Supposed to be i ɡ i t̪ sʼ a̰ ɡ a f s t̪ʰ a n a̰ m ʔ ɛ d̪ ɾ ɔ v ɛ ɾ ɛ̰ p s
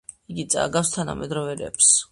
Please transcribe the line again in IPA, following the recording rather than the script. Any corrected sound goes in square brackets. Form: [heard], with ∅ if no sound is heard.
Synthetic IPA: i ɡ i t̪ sʼ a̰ ɡ a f s t̪ʰ a n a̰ m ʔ ɛ d̪ ɾ ɔ v ɛ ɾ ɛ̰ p s